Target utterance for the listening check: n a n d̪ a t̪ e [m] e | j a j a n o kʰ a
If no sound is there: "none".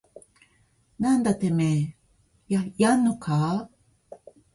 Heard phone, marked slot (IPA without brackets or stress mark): m